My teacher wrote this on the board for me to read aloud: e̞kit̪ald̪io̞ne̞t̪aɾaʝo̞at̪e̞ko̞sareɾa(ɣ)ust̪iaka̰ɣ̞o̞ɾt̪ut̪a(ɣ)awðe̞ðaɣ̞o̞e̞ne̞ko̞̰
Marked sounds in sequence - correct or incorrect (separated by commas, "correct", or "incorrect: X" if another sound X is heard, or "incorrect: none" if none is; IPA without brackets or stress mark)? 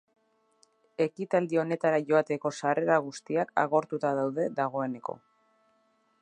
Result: correct, incorrect: ð